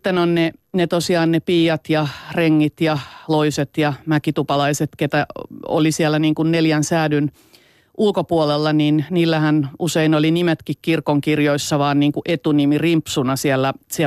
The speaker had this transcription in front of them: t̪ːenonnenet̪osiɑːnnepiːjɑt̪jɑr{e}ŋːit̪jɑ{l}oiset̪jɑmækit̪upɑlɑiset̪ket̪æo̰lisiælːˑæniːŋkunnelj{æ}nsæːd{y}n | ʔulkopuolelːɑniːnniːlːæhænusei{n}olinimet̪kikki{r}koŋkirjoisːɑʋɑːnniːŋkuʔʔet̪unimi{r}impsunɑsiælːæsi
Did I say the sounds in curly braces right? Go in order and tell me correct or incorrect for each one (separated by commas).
correct, correct, correct, correct, correct, correct, correct